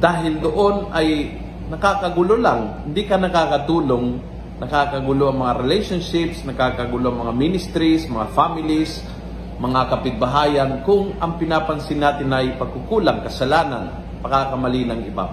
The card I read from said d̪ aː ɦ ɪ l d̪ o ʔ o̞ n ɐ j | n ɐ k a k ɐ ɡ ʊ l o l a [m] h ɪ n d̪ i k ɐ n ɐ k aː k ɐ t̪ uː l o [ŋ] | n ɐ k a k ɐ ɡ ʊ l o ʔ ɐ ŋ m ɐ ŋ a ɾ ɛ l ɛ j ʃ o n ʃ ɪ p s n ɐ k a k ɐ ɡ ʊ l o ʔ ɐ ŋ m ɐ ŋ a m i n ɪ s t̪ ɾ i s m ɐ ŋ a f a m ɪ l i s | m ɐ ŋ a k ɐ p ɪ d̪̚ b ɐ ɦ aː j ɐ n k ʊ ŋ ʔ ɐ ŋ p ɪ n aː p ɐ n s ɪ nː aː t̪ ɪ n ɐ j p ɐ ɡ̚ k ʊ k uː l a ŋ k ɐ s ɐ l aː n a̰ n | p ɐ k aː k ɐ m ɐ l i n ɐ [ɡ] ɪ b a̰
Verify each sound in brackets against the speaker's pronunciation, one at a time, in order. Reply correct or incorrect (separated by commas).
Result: incorrect, correct, incorrect